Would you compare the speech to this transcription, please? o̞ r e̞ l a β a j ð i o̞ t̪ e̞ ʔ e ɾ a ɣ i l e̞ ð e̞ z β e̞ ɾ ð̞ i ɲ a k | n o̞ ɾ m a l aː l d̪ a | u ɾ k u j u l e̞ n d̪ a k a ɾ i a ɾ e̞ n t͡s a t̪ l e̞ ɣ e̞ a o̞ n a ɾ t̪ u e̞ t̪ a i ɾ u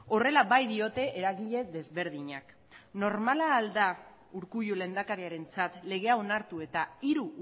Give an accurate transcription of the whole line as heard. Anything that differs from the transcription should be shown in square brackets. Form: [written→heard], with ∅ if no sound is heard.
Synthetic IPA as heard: o̞ r e̞ l a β a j ð i o̞ t̪ e̞ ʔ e ɾ a ɣ i [l→ʎ] e̞ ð e̞ z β e̞ ɾ ð̞ i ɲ a k | n o̞ ɾ m a l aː l d̪ a | u ɾ k u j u l e̞ n d̪ a k a ɾ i a ɾ e̞ n t͡s a t̪ l e̞ ɣ e̞ a o̞ n a ɾ t̪ u e̞ t̪ a i ɾ u